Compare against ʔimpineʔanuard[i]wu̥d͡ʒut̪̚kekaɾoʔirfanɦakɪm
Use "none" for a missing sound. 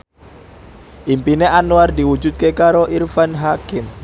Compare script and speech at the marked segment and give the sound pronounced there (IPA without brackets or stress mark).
i